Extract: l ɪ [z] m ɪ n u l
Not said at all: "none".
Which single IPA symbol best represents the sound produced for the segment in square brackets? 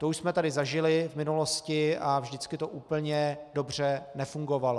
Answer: v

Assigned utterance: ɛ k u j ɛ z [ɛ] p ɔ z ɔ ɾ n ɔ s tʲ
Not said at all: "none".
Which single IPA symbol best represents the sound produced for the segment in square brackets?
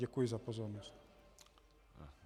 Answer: a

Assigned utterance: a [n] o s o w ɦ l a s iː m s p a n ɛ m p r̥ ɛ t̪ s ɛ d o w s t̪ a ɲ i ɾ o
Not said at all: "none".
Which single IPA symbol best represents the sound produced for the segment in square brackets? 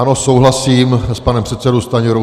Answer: n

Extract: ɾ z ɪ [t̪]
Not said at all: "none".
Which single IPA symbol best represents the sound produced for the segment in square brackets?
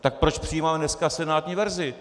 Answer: none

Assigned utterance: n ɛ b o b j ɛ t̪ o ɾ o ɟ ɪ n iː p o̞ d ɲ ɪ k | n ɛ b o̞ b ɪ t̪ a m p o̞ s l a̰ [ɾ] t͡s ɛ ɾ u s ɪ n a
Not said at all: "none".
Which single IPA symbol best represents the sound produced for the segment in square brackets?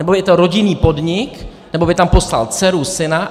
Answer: l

